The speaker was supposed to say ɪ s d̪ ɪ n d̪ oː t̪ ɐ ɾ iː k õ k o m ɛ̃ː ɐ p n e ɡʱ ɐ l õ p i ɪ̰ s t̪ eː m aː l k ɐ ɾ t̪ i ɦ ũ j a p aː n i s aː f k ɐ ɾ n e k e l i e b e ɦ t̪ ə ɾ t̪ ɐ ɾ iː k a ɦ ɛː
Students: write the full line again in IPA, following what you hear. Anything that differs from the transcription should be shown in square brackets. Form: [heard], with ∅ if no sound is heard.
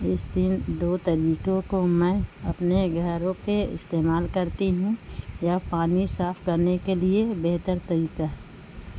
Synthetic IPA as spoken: ɪ s d̪ ɪ n d̪ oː t̪ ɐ ɾ iː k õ k o m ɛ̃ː ɐ p n e ɡʱ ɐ [ɾ] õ p [e] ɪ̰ s t̪ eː m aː l k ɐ ɾ t̪ i ɦ ũ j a p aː n i s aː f k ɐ ɾ n e k e l i e b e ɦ t̪ ə ɾ t̪ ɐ ɾ iː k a ɦ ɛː